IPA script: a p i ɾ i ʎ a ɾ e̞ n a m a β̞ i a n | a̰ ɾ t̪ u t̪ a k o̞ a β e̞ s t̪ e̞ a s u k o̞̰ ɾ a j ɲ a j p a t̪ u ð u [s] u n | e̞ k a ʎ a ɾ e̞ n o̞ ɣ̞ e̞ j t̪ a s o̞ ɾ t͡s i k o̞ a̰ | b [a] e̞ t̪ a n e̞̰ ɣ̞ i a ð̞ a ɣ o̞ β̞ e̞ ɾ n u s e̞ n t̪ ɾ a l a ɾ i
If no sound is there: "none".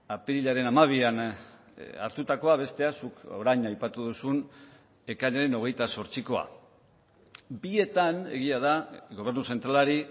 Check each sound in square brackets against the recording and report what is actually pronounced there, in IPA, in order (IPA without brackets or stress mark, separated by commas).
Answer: s, i